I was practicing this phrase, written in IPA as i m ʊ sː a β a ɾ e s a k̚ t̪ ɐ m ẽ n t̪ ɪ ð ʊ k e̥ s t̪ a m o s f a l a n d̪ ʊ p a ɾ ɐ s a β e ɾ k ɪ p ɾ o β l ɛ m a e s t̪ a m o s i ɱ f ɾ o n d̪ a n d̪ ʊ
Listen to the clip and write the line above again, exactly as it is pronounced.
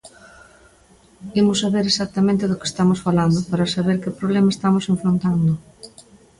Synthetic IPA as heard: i m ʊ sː a β e ɾ e s a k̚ t̪ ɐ m ẽ n t̪ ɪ ð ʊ k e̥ s t̪ a m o s f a l a n d̪ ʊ p a ɾ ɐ s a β e ɾ k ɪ p ɾ o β l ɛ m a e s t̪ a m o s e ɱ f ɾ o n t̪ a n d̪ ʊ